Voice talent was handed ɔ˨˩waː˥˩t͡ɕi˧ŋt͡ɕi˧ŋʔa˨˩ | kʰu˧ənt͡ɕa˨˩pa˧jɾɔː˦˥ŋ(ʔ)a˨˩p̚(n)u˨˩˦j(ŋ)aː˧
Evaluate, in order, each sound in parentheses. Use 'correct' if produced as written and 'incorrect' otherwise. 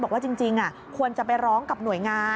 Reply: incorrect, correct, correct

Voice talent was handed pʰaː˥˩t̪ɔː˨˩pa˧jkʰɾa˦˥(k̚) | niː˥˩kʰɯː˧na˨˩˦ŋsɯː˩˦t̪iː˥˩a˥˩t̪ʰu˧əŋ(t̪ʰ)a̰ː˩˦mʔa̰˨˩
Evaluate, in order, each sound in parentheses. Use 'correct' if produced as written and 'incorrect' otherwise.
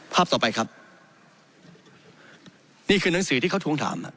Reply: incorrect, correct

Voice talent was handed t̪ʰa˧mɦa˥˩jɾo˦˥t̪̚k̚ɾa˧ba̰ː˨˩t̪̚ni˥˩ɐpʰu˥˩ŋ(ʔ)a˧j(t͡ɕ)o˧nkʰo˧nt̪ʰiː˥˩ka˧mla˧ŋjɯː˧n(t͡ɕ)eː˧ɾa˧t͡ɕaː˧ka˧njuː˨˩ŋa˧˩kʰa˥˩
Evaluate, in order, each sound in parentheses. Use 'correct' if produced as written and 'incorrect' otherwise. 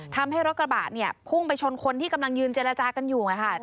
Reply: incorrect, incorrect, correct

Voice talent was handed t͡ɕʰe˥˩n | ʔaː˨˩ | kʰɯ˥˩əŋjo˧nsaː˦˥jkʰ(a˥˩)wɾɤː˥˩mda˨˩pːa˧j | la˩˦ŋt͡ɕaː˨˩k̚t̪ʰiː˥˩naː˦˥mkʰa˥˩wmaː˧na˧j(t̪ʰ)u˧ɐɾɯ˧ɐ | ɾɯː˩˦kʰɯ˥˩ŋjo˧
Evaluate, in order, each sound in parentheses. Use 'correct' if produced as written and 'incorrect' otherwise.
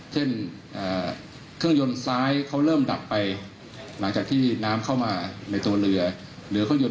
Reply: incorrect, incorrect

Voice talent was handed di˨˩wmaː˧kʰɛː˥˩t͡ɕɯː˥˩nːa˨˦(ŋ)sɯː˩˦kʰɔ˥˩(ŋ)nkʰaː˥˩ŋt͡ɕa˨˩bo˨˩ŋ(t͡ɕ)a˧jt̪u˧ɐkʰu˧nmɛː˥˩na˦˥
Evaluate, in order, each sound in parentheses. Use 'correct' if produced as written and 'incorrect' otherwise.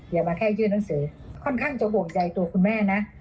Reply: correct, incorrect, correct

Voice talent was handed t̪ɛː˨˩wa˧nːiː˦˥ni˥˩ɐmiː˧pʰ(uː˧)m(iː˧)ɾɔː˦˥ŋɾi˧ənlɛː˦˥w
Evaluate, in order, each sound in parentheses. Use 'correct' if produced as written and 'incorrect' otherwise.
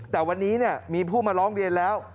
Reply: incorrect, incorrect

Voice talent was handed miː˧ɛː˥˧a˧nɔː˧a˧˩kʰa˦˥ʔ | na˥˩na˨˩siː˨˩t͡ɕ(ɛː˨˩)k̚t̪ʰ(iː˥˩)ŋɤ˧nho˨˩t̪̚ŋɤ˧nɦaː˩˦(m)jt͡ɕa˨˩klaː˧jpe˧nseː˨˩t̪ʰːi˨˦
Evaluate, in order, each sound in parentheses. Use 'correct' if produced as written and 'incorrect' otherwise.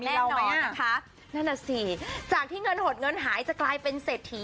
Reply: incorrect, correct, incorrect

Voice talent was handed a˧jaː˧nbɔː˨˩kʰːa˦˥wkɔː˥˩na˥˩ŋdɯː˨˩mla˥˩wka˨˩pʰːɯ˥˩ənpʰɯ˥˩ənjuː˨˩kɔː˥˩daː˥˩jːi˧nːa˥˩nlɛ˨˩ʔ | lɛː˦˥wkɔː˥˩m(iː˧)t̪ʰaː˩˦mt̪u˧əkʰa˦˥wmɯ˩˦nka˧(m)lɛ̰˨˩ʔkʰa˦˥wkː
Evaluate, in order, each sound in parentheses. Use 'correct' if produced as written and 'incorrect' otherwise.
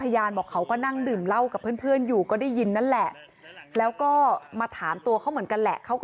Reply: incorrect, incorrect

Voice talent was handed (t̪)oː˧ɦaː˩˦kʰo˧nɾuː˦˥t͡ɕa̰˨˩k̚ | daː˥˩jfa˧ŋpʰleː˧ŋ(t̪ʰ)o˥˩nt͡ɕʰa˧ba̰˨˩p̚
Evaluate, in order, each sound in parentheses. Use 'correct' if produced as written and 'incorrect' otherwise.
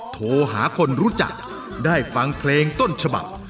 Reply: incorrect, incorrect

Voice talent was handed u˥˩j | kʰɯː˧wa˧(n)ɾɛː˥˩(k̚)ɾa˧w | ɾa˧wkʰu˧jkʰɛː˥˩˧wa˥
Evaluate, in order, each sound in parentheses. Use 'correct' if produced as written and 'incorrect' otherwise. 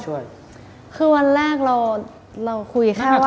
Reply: correct, correct

